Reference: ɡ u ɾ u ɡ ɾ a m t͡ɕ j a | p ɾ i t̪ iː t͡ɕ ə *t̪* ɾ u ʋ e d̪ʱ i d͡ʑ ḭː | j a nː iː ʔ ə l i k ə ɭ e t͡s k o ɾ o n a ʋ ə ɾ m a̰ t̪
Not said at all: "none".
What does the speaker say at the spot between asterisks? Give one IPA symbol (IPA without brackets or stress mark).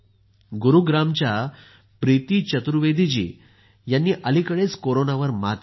t̪